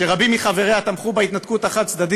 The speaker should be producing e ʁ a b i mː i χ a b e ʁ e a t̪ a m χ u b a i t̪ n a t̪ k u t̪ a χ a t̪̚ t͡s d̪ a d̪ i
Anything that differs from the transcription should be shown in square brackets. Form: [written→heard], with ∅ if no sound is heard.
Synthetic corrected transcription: e ʁ a b i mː i χ a [b→v] e ʁ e a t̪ a m χ u b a i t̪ n a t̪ k u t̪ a χ a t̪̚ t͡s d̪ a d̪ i